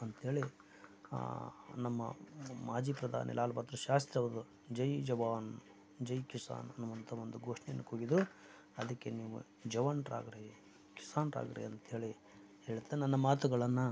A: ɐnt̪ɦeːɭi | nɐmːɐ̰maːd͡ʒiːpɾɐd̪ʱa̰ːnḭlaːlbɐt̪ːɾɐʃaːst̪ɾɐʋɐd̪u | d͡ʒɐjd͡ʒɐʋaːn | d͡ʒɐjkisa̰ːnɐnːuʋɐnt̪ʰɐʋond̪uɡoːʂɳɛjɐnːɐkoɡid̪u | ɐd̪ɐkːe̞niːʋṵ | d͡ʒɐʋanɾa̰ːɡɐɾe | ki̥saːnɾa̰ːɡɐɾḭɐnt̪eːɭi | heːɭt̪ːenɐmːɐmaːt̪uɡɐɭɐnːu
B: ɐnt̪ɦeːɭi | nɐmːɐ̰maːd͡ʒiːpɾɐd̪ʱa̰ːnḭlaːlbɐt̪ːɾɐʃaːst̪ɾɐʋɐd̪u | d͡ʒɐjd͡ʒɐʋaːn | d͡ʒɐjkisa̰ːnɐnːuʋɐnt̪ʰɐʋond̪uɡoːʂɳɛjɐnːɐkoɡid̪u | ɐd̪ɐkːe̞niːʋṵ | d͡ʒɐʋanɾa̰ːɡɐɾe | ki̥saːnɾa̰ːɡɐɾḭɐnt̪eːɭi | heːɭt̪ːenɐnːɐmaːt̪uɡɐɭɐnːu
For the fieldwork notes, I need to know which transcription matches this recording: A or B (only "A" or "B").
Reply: B